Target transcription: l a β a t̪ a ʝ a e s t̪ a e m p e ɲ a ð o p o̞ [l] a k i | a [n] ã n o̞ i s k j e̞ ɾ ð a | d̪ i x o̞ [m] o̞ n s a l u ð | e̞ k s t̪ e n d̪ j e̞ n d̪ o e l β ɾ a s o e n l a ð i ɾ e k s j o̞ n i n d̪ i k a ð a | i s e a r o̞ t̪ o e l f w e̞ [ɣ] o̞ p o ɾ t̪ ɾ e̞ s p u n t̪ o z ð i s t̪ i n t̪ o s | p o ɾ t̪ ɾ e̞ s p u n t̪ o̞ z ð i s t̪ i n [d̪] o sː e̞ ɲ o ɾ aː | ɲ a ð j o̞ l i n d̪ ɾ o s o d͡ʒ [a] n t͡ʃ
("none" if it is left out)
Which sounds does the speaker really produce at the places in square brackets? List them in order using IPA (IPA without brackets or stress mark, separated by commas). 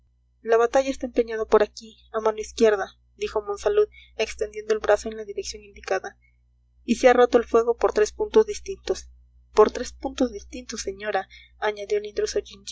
ɾ, m, m, ɣ, t̪, i